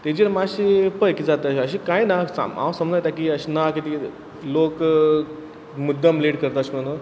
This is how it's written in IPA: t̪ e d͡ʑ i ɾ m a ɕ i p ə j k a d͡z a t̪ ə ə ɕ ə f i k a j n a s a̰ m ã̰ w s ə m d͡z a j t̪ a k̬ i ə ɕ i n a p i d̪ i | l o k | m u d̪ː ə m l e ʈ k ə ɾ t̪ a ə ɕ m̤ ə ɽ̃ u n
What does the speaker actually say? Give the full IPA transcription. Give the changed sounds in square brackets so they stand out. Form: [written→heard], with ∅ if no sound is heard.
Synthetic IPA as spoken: t̪ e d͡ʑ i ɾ m a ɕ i p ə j k [a→i] d͡z a t̪ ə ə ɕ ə [f→ɕ] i k a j n a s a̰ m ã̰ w s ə m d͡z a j t̪ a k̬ i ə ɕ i n a [p→k] i [d̪→t̪] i | l o k | m u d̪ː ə m l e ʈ k ə ɾ t̪ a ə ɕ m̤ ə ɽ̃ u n